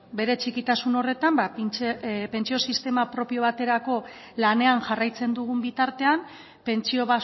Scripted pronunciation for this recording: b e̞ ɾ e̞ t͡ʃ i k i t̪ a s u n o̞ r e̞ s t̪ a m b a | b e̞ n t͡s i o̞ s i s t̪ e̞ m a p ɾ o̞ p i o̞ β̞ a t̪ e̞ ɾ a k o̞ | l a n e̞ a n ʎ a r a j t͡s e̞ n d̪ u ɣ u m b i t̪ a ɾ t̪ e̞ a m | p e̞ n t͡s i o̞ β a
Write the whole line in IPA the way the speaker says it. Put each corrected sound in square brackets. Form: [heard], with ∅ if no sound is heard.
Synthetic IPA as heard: b e̞ ɾ e̞ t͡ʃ i k i t̪ a s u n o̞ r e̞ [∅] t̪ a m b a | [p] e̞ n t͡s i o̞ s i s t̪ e̞ m a p ɾ o̞ p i o̞ β̞ a t̪ e̞ ɾ a k o̞ | l a n e̞ a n [ʝ] a r a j t͡s e̞ n d̪ u ɣ u m b i t̪ a ɾ t̪ e̞ a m | p e̞ n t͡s i o̞ β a

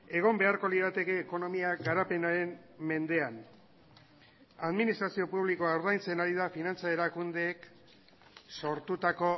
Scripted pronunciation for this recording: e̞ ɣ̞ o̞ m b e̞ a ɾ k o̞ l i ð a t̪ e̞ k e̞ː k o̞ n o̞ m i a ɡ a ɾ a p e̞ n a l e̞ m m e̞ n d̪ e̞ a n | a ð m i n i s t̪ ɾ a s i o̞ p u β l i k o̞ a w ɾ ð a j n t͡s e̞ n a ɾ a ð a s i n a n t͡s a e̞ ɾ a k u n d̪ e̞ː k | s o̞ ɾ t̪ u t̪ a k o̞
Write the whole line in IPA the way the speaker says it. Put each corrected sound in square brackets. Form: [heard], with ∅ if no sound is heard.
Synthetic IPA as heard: e̞ ɣ̞ o̞ m b e̞ a ɾ k o̞ l i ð a t̪ e̞ k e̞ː k o̞ n o̞ m i a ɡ a ɾ a p e̞ n a [ɾ] e̞ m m e̞ n d̪ e̞ a n | a ð m i n i s t̪ ɾ a s i o̞ p u β l i k o̞ a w ɾ ð a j n t͡s e̞ n a ɾ [i] ð a [f] i n a n t͡s a e̞ ɾ a k u n d̪ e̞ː k | s o̞ ɾ t̪ u t̪ a k o̞

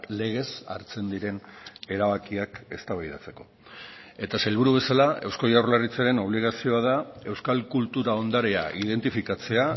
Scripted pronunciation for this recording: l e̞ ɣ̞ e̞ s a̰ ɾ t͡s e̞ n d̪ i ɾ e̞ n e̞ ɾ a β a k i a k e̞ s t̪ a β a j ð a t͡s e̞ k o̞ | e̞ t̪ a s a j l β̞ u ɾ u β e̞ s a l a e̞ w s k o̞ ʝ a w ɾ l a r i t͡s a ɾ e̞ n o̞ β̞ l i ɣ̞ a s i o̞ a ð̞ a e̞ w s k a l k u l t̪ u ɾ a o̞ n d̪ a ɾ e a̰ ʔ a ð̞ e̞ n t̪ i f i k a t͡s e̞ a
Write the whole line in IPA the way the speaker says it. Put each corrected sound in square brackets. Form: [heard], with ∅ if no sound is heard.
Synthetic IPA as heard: l e̞ ɣ̞ e̞ s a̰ ɾ t͡s e̞ n d̪ i ɾ e̞ n e̞ ɾ a β a k i a k e̞ s t̪ a β a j ð a t͡s e̞ k o̞ | e̞ t̪ a s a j l β̞ u ɾ u β e̞ s a l a e̞ w s k o̞ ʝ a w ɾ l a r i t͡s a ɾ e̞ n o̞ β̞ l i ɣ̞ a s i o̞ a ð̞ a e̞ w s k a l k u l t̪ u ɾ a o̞ n d̪ a ɾ e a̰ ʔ [i] ð̞ e̞ n t̪ i f i k a t͡s e̞ a

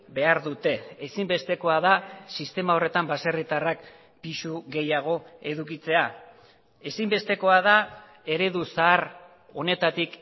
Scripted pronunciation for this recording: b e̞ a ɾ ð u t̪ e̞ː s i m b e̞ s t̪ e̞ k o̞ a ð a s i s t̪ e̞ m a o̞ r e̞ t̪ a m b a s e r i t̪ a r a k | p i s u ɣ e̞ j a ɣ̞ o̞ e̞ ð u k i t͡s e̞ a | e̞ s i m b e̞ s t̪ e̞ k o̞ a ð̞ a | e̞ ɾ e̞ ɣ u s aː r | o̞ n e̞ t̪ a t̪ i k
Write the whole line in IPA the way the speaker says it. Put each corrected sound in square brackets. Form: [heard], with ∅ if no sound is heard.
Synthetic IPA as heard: b e̞ a ɾ ð u t̪ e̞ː s i m b e̞ s t̪ e̞ k o̞ a ð a s i s t̪ e̞ m a o̞ r e̞ t̪ a m b a s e r i t̪ a r a k | p i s u ɣ e̞ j a ɣ̞ o̞ e̞ ð u k i t͡s e̞ a | e̞ s i m b e̞ s t̪ e̞ k o̞ a ð̞ a | e̞ ɾ e̞ [ð] u s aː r | o̞ n e̞ t̪ a t̪ i k

